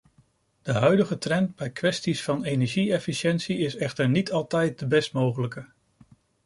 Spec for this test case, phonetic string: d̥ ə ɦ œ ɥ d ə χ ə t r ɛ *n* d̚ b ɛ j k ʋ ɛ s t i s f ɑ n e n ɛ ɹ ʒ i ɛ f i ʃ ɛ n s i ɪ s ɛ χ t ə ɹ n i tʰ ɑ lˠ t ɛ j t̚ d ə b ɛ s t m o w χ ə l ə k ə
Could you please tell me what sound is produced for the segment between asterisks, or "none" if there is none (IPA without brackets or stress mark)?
n